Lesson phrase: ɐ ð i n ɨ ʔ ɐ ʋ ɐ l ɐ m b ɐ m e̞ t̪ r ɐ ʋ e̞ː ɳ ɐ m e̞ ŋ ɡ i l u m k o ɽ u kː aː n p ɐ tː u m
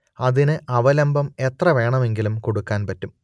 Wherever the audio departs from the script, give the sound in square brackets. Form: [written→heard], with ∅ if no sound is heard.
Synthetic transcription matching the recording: ɐ ð i n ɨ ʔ ɐ ʋ ɐ l ɐ m b ɐ m e̞ t̪ r ɐ ʋ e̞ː ɳ ɐ m e̞ ŋ ɡ i l u m k o ɽ u kː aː n p ɐ tː u m